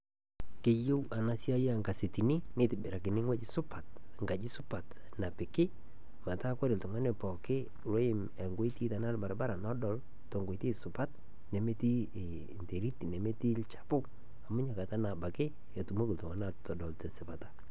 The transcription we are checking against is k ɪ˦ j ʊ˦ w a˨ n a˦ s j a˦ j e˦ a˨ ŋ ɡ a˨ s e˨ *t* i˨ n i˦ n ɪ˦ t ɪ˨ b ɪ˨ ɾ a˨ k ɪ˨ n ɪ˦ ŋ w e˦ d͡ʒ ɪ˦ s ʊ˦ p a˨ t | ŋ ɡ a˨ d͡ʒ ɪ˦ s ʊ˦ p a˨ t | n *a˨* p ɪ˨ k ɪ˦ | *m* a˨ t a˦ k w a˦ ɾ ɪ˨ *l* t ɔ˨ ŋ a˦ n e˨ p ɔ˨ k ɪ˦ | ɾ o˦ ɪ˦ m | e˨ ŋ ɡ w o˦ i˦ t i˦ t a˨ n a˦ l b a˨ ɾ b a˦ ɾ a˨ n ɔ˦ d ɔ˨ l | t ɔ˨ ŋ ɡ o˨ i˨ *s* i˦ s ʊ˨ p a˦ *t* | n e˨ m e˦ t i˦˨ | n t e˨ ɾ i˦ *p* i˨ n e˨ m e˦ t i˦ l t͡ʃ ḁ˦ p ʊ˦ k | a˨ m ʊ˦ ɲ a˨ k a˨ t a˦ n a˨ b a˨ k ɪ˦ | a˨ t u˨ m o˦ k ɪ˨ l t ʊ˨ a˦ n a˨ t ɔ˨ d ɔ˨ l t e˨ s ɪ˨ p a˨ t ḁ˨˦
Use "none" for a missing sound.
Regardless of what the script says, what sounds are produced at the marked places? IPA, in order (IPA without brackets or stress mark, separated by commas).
t, a˨, m, l, t, t, t